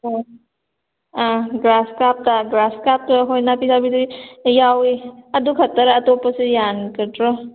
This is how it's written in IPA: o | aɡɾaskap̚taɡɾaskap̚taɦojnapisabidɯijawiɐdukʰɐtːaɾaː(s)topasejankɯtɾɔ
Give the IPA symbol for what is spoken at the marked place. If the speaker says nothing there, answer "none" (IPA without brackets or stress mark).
none